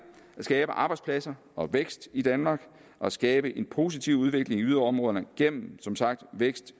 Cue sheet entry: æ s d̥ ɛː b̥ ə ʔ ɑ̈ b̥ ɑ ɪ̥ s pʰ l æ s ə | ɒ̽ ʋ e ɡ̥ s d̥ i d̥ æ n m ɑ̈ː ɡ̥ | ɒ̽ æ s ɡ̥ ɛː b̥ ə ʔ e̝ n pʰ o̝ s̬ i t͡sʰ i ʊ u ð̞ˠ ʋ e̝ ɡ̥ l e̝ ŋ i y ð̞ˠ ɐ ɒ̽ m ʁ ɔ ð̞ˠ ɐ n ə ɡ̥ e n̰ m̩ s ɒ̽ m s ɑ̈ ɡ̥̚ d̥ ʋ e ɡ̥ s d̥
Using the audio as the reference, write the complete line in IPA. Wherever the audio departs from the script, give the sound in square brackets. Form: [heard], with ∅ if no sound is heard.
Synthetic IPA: æ s [ɡ̥] ɛː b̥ ə ʔ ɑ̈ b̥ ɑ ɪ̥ s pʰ l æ s [ɐ] | ɒ̽ ʋ e ɡ̥ s d̥ i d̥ æ n m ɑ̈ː ɡ̥ | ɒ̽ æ s ɡ̥ ɛː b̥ ə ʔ e̝ n pʰ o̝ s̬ i t͡sʰ i ʊ u ð̞ˠ ʋ e̝ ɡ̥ l e̝ ŋ i y ð̞ˠ ɐ ɒ̽ m ʁ ɔ ð̞ˠ ɐ n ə ɡ̥ e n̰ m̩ s ɒ̽ m s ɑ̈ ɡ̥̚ d̥ ʋ e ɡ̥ s d̥